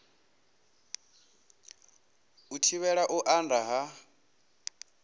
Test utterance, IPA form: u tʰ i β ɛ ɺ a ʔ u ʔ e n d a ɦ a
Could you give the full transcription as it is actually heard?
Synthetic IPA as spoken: u tʰ i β ɛ ɺ a ʔ u ʔ a n d a ɦ a